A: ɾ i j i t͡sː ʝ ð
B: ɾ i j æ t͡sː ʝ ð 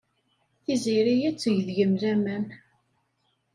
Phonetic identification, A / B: B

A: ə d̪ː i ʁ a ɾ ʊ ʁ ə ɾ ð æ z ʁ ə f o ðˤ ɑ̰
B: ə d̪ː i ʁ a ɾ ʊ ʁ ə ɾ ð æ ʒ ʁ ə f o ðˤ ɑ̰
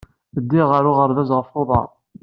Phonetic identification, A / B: A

